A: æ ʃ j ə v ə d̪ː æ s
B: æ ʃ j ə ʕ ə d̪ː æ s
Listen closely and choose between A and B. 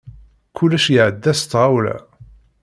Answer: B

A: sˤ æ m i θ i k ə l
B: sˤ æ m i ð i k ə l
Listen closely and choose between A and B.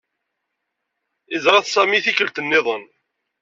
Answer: A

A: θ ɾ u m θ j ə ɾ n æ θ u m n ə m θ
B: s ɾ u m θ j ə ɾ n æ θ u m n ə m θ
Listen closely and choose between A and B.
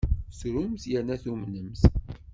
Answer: B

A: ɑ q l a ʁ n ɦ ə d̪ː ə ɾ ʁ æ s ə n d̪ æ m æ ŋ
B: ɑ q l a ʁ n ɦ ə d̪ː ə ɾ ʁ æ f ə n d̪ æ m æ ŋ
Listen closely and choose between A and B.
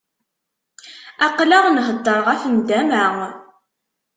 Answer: B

